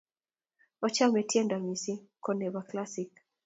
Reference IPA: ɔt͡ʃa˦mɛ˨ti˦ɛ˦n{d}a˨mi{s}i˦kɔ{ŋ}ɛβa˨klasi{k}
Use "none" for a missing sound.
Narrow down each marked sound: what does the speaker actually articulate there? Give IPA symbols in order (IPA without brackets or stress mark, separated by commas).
d, s, n, k